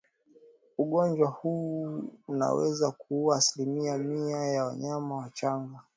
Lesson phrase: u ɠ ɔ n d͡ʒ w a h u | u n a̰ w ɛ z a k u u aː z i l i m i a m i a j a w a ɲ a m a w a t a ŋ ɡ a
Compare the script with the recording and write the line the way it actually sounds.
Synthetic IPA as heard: u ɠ ɔ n d͡ʒ w a h u | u n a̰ w ɛ z a k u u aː s i l i m i a m i a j a w a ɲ a m a w a t͡ʃ a ŋ ɡ a